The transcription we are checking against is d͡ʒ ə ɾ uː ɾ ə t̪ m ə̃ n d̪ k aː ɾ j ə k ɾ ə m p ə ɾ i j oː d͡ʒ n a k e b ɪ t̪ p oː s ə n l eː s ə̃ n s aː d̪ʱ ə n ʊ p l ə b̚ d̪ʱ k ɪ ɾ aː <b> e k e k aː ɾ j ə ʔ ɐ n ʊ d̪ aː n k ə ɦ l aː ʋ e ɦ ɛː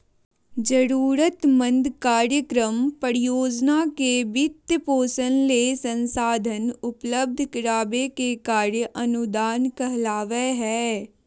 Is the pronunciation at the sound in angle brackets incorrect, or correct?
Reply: correct